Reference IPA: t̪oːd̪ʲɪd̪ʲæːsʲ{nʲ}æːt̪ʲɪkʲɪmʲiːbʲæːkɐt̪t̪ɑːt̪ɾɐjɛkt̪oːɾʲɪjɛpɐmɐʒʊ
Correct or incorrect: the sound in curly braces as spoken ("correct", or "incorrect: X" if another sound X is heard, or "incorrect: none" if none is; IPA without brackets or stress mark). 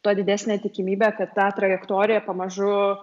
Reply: correct